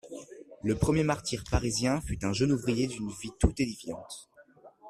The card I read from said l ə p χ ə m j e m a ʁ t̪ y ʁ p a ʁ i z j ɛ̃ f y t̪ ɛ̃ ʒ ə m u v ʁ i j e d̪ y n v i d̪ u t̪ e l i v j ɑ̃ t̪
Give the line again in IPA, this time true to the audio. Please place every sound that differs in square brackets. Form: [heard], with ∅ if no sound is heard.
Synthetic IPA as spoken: l ə p χ ə m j e m a ʁ t̪ [i] ʁ p a ʁ i z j ɛ̃ f y t̪ ɛ̃ ʒ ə [n] u v ʁ i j e d̪ y n v i [t̪] u t̪ e l i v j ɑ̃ t̪